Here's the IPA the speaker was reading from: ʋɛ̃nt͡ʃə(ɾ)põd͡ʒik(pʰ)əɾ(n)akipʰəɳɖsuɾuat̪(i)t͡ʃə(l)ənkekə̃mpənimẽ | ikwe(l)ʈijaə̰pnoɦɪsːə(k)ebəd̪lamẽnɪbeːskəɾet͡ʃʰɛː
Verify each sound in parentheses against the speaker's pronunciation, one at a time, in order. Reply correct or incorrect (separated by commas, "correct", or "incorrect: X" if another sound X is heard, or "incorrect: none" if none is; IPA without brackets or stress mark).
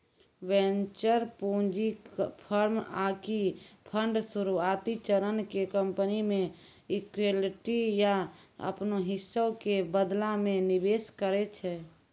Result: correct, correct, incorrect: m, correct, incorrect: ɾ, correct, correct